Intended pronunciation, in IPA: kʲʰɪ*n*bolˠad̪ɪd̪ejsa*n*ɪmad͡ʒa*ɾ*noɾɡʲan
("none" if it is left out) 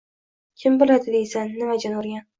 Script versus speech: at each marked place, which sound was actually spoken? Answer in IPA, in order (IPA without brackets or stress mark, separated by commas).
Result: m, nː, none